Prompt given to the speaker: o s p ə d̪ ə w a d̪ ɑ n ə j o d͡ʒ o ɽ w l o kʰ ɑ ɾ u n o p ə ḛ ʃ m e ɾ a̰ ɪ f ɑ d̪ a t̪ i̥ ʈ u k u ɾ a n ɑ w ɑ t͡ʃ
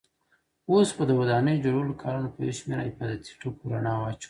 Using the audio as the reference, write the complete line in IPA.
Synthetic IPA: o s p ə d̪ ə w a d̪ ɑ n ə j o d͡ʒ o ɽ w l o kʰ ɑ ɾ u n o p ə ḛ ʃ m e ɾ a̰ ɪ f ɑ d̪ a t̪ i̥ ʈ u k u ɾ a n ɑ w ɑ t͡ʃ